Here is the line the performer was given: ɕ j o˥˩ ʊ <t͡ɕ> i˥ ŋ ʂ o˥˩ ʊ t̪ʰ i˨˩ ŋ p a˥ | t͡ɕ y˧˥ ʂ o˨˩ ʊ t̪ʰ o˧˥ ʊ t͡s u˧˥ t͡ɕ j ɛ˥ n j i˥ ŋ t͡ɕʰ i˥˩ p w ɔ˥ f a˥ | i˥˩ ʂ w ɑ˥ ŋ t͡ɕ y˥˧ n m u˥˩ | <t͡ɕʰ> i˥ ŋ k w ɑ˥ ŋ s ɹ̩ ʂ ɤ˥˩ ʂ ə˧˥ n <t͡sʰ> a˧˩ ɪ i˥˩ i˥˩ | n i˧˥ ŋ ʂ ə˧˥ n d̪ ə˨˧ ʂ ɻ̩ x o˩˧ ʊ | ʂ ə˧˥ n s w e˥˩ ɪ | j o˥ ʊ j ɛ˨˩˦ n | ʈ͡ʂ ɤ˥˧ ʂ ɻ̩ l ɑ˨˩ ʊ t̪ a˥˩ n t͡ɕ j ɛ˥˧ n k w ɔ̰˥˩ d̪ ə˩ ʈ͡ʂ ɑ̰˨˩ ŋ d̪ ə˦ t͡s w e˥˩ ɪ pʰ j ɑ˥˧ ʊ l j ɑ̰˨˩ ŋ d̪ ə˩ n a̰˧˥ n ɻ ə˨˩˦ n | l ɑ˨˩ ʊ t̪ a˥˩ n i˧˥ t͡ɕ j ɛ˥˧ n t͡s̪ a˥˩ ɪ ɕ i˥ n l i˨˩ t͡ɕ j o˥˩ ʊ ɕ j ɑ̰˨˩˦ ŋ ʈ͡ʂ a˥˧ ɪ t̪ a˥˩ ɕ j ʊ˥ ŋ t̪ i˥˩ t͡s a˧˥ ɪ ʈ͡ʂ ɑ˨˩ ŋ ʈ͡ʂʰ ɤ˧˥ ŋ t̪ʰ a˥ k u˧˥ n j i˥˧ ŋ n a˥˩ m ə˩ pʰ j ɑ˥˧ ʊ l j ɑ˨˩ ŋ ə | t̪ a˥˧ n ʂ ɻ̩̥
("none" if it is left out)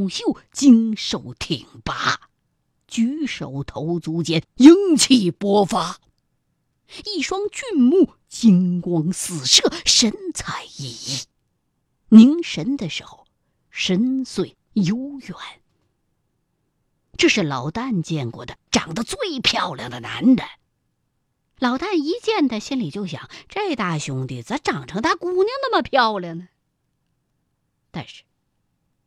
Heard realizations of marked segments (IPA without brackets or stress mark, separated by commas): t͡ɕ, t͡ɕ, t͡sʰ